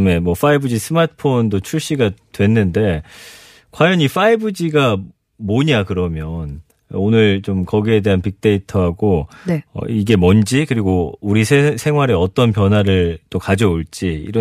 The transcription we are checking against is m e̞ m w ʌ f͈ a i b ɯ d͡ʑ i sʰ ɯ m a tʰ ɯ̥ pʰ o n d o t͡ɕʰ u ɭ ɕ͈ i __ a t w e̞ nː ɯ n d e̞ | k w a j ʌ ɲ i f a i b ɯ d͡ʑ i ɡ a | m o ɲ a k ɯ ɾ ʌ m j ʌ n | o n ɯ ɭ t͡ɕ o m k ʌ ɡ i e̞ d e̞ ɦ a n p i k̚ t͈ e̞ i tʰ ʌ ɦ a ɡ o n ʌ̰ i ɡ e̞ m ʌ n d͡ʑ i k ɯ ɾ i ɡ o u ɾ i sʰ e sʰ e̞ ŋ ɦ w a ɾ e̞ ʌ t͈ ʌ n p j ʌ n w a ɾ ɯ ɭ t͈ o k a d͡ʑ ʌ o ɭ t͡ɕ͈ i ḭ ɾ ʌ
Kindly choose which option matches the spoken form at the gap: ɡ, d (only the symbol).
ɡ